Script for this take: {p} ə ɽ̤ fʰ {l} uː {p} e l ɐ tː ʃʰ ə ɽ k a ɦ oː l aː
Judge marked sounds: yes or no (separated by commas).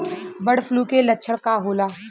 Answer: no, yes, no